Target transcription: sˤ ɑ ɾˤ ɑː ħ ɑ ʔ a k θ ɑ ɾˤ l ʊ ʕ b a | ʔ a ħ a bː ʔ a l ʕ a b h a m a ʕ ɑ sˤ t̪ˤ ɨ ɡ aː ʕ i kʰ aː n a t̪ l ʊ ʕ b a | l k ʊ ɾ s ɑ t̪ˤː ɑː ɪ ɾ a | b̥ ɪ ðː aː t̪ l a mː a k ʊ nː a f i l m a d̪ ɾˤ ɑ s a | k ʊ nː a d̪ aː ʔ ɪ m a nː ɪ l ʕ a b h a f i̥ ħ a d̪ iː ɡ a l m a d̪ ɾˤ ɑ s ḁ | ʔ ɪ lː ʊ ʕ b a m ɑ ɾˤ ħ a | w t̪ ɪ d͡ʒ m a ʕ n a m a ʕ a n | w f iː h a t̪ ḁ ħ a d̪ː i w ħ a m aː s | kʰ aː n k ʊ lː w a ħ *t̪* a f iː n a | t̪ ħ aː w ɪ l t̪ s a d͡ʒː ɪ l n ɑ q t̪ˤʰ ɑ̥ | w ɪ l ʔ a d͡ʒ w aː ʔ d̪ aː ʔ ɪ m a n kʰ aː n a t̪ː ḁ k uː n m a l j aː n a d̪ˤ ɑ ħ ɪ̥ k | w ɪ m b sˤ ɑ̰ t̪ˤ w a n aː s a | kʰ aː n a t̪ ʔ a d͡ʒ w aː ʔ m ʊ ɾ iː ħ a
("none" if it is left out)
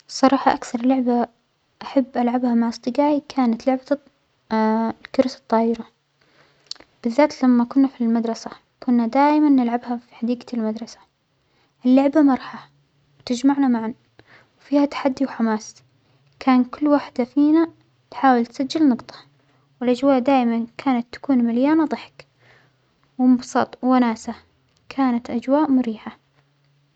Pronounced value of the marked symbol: d̪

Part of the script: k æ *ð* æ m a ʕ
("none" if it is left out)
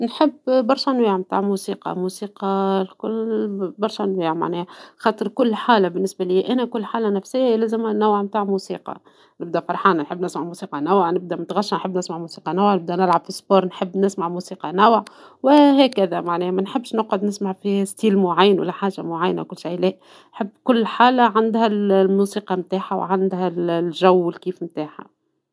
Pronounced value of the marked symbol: ð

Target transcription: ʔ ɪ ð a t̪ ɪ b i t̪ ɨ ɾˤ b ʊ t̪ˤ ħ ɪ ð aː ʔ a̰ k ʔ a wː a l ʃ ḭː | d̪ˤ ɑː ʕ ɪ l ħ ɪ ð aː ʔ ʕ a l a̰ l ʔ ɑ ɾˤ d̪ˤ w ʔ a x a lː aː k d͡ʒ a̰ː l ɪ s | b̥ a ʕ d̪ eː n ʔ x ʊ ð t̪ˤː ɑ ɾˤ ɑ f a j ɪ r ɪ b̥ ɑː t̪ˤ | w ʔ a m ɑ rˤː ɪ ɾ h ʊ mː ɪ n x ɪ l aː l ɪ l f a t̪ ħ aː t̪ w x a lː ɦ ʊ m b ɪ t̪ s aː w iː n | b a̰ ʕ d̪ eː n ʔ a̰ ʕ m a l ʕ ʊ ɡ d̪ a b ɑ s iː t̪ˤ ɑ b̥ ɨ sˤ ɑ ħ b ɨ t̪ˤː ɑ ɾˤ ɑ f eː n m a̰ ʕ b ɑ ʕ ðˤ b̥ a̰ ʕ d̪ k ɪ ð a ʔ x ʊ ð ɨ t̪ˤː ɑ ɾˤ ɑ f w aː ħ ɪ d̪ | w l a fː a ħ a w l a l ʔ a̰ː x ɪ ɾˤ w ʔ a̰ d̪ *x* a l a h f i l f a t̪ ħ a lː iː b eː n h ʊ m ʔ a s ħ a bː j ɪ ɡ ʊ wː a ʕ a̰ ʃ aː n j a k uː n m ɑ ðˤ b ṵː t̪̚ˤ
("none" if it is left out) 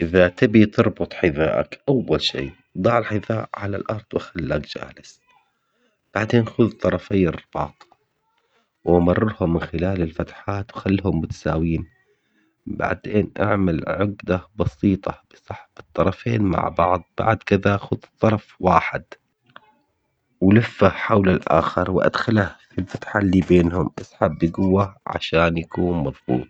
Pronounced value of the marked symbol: x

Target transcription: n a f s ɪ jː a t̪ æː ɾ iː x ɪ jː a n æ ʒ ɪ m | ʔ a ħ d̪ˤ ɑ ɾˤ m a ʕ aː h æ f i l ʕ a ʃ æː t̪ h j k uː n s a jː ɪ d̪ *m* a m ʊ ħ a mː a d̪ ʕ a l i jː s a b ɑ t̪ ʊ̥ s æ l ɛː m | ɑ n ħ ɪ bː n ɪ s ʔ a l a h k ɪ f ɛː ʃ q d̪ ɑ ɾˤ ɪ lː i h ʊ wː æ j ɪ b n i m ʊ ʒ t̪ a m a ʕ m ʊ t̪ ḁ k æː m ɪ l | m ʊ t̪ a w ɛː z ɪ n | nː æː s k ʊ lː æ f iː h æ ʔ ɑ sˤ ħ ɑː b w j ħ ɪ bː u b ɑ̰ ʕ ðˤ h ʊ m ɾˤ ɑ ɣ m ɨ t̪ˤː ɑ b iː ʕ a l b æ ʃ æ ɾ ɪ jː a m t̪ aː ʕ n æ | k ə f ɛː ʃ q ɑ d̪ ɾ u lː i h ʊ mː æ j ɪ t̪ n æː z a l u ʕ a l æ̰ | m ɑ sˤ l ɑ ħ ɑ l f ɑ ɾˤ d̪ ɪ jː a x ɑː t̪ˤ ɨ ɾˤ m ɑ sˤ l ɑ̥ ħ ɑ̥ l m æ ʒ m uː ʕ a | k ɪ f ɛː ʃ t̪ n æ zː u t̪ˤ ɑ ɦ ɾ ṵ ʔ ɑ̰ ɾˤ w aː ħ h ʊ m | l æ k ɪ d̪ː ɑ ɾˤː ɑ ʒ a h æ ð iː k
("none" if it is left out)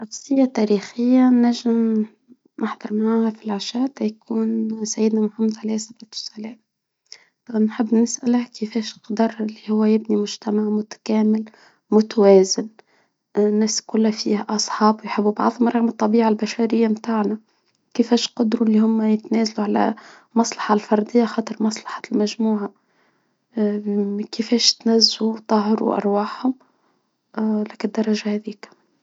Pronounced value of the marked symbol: n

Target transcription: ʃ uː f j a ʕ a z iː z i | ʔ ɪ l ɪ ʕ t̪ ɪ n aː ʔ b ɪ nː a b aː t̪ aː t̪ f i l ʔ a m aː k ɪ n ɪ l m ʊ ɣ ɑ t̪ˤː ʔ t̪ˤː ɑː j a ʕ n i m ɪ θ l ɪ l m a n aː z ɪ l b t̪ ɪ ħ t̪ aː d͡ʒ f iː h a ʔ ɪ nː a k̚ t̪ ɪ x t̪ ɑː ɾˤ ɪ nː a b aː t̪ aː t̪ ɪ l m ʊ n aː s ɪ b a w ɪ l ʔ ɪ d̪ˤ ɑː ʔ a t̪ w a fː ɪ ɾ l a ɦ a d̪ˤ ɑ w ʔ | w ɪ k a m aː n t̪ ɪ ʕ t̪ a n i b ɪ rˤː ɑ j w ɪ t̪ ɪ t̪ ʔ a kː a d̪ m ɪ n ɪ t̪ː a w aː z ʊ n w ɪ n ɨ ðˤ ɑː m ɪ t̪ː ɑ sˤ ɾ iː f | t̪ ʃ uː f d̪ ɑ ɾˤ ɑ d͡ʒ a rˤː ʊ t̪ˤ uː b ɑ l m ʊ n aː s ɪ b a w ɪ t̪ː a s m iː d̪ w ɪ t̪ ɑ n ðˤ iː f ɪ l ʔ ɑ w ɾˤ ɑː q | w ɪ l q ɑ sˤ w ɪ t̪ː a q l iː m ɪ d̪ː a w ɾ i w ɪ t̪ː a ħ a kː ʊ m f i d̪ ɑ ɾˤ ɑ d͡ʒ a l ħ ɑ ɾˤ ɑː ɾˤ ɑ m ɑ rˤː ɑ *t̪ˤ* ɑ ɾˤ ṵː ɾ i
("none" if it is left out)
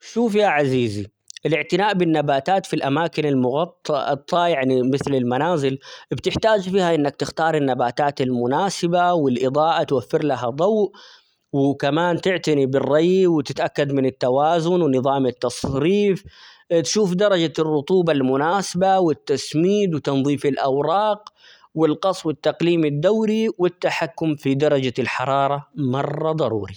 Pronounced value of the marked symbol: d̪ˤ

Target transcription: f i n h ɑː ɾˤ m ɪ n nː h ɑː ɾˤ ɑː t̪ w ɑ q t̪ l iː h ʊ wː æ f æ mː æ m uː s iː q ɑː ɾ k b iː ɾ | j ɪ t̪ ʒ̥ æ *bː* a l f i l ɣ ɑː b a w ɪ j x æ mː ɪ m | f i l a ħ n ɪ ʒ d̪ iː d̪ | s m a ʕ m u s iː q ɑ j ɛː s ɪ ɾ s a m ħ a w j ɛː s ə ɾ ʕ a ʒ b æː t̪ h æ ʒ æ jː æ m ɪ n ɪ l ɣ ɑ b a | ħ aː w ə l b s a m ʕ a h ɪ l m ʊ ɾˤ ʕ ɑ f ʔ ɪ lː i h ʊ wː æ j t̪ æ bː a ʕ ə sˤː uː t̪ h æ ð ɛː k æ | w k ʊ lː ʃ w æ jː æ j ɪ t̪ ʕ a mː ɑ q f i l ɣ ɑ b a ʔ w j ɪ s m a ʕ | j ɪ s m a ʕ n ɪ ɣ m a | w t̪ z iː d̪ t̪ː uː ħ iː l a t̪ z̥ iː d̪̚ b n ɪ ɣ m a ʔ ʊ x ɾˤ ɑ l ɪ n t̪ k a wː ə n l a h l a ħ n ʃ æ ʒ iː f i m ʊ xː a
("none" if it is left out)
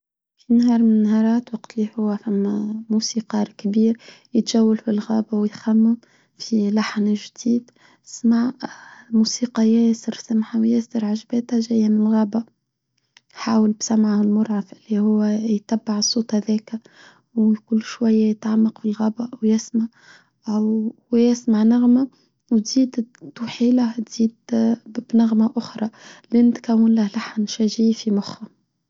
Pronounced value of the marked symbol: wː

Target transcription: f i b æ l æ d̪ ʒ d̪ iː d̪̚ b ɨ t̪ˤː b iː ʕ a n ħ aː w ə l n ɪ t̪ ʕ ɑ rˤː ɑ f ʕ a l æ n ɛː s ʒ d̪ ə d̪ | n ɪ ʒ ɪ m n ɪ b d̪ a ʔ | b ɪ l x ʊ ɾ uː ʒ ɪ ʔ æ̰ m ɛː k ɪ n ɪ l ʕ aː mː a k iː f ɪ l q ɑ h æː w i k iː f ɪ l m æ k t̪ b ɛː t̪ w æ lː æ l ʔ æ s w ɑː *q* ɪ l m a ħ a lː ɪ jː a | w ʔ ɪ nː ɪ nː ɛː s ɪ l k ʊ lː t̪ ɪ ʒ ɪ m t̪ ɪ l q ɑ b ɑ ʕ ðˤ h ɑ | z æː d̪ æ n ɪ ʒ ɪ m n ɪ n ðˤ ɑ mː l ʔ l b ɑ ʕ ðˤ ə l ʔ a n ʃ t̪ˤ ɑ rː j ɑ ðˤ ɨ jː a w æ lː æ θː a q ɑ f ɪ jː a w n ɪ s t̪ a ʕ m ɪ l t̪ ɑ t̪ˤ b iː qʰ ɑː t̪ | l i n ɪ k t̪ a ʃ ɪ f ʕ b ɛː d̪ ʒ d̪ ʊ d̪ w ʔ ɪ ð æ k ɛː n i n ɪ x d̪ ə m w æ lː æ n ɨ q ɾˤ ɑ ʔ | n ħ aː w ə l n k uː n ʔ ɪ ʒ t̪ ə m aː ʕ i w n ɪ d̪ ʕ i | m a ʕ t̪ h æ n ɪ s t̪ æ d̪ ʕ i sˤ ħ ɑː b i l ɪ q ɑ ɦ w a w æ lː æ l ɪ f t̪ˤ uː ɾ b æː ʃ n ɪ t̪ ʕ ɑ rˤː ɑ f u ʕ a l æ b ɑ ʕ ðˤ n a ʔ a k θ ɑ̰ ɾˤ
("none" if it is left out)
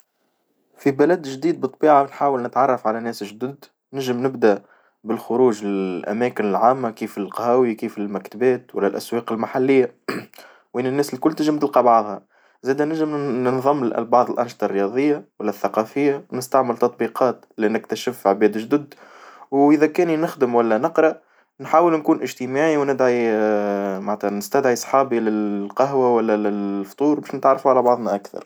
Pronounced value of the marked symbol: q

